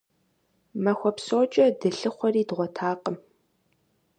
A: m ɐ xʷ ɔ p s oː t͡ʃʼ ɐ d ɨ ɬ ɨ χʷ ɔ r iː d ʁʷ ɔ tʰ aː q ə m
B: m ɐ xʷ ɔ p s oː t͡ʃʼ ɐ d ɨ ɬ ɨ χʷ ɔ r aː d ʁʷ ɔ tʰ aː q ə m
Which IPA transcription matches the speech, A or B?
A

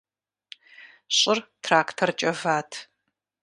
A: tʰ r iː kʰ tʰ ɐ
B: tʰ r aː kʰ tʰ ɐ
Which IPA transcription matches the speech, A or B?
B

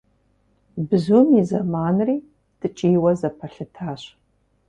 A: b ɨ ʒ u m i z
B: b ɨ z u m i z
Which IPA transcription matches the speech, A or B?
B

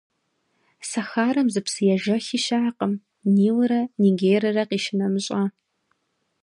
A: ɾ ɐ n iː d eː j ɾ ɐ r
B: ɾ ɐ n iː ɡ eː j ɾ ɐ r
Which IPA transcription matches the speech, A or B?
B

